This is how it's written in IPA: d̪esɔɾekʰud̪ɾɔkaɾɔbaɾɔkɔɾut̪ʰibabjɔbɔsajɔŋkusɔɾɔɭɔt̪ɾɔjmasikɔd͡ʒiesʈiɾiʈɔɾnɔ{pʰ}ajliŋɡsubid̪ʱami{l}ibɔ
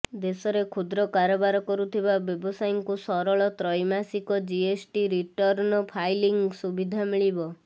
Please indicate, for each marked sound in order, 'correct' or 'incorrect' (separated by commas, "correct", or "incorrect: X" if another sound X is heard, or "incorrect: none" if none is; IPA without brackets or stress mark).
correct, incorrect: ɭ